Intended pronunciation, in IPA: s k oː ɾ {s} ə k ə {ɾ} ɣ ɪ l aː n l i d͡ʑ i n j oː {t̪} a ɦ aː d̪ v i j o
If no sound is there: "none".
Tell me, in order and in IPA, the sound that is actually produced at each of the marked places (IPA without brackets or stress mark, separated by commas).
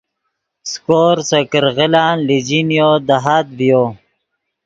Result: s, ɾ, d̪